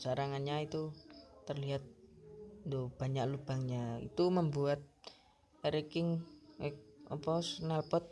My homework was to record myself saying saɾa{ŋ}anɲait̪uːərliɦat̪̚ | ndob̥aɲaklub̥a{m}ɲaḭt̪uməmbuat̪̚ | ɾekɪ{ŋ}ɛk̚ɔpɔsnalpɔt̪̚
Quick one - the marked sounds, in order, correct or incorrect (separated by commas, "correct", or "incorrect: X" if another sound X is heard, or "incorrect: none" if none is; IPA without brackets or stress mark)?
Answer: correct, incorrect: ŋ, correct